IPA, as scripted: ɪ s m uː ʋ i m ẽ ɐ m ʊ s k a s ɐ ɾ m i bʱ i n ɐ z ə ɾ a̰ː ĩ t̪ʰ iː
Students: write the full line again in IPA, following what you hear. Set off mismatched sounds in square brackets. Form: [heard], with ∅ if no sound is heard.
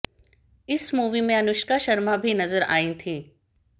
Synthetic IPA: ɪ s m uː ʋ i m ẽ ɐ [n] ʊ [ʃ] k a [ʃ] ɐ ɾ m [a] bʱ i n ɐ z ə ɾ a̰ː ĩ t̪ʰ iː

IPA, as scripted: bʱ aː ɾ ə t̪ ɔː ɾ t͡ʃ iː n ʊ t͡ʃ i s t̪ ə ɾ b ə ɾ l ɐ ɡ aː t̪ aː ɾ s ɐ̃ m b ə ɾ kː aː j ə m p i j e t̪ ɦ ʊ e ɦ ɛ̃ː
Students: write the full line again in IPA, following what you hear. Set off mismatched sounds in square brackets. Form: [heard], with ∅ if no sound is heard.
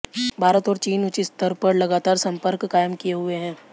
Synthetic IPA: bʱ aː ɾ ə t̪ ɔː ɾ t͡ʃ iː n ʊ t͡ʃ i s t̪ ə ɾ [p] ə ɾ l ɐ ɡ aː t̪ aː ɾ s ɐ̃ m [p] ə ɾ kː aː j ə m [k] i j e [∅] ɦ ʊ e ɦ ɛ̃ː

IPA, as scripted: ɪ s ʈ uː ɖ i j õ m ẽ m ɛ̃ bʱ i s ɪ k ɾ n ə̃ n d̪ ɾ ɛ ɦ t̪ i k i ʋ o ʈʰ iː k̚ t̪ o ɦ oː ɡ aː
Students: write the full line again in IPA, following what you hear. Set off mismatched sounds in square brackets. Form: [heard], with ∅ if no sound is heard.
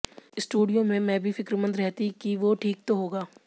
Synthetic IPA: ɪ s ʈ uː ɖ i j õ m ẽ m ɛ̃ bʱ i [f] ɪ k ɾ [m] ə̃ n d̪ ɾ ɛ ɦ t̪ i k i ʋ o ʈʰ iː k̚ t̪ o ɦ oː ɡ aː

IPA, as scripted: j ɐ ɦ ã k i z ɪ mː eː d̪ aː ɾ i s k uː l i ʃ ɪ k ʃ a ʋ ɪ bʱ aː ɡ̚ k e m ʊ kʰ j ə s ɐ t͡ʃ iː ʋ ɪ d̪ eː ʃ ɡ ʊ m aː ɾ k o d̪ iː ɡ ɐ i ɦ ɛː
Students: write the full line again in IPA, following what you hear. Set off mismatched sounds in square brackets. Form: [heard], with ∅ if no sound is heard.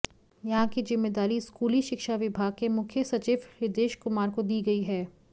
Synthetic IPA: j ɐ ɦ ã k i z ɪ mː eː d̪ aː ɾ i s k uː l i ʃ ɪ k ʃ a ʋ ɪ bʱ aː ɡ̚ k e m ʊ kʰ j ə s ɐ t͡ʃ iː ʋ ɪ d̪ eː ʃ [k] ʊ m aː ɾ k o d̪ iː ɡ ɐ i ɦ ɛː

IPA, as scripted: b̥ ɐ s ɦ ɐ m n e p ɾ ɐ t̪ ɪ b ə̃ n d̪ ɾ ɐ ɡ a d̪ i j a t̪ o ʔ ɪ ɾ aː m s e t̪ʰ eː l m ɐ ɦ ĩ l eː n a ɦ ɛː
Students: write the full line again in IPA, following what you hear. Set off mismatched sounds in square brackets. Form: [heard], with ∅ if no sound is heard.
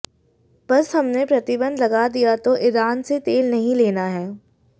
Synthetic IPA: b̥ ɐ s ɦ ɐ m n e p ɾ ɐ t̪ ɪ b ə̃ n d̪ [l] ɐ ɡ a d̪ i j a t̪ o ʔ ɪ ɾ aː [n] s e [t̪] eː l [n] ɐ ɦ ĩ l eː n a ɦ ɛː

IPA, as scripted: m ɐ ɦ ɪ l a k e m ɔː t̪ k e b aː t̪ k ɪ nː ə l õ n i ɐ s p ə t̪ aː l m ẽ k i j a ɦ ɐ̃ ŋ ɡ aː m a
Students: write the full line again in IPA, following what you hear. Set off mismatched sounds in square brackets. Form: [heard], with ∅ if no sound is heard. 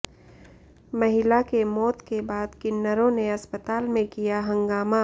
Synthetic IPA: m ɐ ɦ ɪ l a k e m ɔː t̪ k e b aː [d̪] k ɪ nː ə [ɾ] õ n [e] ɐ s p ə t̪ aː l m ẽ k i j a ɦ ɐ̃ ŋ ɡ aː m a

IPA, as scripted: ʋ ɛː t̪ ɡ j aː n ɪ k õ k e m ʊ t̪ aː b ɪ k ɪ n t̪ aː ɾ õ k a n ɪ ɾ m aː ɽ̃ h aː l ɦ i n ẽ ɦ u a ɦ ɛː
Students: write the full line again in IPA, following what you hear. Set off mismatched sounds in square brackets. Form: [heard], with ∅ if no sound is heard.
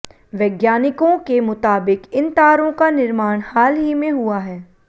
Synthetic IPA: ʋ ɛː [∅] ɡ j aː n ɪ k õ k e m ʊ t̪ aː b ɪ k ɪ n t̪ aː ɾ õ k a n ɪ ɾ m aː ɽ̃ h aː l ɦ i [m] ẽ ɦ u a ɦ ɛː

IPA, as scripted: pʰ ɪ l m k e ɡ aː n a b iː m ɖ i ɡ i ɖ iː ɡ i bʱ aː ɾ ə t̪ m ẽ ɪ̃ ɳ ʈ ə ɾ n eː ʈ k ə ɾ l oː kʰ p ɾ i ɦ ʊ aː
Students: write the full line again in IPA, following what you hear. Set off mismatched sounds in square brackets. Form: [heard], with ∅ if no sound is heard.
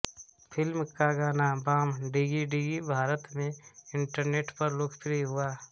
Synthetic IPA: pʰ ɪ l m k [a] ɡ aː n a b [aː] m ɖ i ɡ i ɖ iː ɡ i bʱ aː ɾ ə t̪ m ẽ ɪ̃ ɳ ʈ ə ɾ n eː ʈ [p] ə ɾ l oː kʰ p ɾ i ɦ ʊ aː

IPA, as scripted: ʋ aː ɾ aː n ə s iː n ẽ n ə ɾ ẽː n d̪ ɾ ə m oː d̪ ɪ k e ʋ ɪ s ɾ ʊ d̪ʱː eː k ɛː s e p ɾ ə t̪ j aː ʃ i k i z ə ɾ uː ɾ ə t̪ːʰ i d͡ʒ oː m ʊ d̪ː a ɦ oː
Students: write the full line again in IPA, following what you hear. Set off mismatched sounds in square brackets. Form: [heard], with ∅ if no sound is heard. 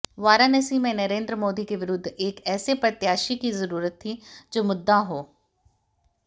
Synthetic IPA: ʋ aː ɾ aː n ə s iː [m] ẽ n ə ɾ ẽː n d̪ ɾ ə m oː d̪ [i] k e ʋ ɪ [∅] ɾ ʊ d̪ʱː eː k ɛː s e p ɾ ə t̪ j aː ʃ i k i z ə ɾ uː ɾ ə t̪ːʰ i d͡ʒ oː m ʊ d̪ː a ɦ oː

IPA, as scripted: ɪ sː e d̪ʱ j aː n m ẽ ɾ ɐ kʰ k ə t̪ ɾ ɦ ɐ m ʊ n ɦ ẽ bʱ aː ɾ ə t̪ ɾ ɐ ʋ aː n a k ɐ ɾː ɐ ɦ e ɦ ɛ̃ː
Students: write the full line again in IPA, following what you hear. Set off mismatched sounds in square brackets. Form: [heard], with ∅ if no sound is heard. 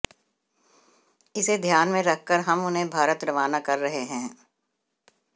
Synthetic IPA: ɪ [s] e d̪ʱ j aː n m ẽ ɾ ɐ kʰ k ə [∅] ɾ ɦ ɐ m ʊ n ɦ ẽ bʱ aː ɾ ə t̪ ɾ ɐ ʋ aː n a k ɐ ɾː ɐ ɦ e ɦ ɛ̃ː

